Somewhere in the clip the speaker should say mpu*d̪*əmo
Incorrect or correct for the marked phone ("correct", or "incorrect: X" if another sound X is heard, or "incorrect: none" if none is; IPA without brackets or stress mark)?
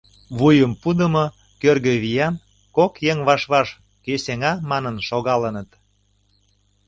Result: correct